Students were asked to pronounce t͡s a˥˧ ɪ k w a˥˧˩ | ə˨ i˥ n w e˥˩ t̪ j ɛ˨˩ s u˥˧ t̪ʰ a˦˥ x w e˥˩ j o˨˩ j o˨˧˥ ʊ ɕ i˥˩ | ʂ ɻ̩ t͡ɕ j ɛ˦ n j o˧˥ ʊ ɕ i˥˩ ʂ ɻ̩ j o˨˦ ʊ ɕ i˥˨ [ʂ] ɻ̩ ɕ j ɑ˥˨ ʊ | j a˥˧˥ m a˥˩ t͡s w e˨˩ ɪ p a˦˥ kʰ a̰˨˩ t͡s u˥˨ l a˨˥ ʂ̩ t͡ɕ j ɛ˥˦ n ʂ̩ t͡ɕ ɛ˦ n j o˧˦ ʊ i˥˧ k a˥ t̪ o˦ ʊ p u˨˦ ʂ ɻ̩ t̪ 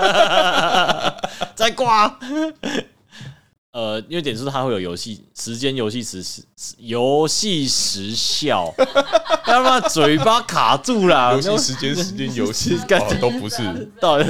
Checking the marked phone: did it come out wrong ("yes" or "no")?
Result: no